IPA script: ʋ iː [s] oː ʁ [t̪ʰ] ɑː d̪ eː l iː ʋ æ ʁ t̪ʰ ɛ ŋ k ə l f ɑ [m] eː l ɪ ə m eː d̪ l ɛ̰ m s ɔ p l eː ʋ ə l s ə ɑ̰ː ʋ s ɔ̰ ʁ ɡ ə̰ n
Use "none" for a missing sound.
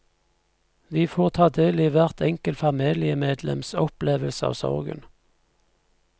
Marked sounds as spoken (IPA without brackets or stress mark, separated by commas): f, t̪ʰ, m